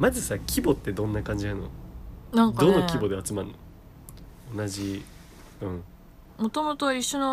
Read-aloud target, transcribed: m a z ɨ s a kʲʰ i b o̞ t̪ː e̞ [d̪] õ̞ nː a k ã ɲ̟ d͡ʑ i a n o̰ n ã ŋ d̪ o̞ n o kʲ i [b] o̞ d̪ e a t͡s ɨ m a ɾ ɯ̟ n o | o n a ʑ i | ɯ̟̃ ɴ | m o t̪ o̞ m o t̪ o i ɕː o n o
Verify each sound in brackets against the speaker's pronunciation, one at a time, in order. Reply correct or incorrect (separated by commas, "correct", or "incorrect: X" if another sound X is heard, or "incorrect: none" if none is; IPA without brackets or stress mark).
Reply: correct, correct